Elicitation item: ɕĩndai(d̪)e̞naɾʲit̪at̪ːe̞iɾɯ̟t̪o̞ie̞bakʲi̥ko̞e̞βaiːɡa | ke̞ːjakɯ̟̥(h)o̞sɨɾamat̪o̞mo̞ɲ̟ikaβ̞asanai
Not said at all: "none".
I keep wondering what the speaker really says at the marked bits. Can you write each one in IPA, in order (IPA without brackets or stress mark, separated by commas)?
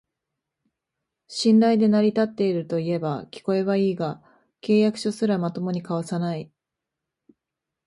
d̪, ɕ